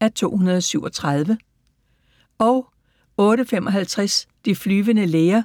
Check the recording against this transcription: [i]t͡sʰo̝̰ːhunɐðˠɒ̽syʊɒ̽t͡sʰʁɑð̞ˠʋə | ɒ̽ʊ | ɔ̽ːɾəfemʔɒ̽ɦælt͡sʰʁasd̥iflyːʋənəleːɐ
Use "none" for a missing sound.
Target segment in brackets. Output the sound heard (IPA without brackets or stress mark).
æ